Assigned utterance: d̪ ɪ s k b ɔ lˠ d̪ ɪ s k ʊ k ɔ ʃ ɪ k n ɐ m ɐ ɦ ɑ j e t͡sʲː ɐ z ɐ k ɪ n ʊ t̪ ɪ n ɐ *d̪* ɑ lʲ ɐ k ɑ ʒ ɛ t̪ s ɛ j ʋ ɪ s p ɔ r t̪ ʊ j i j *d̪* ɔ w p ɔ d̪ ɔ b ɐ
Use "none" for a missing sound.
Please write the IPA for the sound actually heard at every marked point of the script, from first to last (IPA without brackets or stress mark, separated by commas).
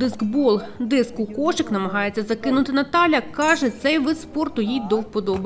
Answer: t̪, d̪